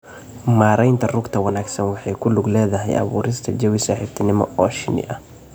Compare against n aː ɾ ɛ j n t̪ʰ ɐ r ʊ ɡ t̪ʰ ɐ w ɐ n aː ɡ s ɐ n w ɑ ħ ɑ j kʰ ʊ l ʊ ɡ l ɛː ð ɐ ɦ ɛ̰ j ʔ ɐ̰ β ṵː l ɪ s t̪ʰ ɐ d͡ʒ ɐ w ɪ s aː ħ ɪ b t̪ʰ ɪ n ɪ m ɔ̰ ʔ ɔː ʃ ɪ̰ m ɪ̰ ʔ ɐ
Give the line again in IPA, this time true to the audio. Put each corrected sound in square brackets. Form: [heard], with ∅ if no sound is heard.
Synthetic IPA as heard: [m] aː ɾ ɛ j n t̪ʰ ɐ r ʊ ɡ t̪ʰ ɐ w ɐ n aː ɡ s ɐ n w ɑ ħ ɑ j kʰ ʊ l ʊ ɡ l ɛː ð ɐ ɦ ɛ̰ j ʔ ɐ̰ β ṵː [ɾ] ɪ s t̪ʰ ɐ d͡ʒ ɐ w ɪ s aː ħ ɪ b t̪ʰ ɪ n ɪ m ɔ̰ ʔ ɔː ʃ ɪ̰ [n] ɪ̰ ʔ ɐ